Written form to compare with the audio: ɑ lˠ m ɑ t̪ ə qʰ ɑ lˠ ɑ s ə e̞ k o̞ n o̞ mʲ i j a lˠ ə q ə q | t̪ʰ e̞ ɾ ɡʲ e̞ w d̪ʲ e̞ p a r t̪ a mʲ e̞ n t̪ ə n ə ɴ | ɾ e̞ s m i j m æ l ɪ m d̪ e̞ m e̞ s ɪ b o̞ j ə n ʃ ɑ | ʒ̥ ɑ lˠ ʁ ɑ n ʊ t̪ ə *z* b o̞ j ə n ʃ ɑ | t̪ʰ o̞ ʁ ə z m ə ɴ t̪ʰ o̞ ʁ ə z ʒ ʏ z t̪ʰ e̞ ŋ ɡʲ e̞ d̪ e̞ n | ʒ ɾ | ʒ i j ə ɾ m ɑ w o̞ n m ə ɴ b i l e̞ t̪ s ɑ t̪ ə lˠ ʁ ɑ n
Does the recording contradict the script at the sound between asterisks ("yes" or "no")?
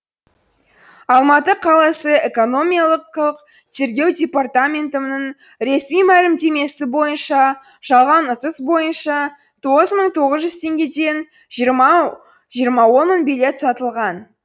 yes